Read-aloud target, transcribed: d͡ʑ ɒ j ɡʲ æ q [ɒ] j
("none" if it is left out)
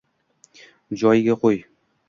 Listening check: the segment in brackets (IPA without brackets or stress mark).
o